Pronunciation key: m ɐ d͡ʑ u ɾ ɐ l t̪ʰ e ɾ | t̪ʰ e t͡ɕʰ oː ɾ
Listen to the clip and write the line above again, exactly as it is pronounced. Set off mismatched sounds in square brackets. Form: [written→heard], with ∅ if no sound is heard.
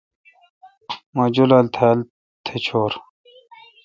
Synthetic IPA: m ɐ d͡ʑ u [ɾ→l] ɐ l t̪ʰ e [ɾ→l] | t̪ʰ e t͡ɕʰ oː ɾ

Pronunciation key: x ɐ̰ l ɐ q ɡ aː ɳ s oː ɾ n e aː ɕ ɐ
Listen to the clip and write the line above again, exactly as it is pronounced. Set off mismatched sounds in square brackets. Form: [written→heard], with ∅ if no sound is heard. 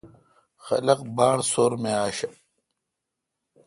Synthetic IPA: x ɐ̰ l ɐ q [ɡ→b] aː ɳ s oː ɾ [n→m] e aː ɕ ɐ

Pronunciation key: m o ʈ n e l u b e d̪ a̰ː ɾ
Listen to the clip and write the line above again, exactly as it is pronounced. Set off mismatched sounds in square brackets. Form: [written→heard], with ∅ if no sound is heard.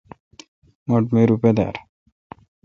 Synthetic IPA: m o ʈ [n→m] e [l→ɾ] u [b→p] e d̪ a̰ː ɾ

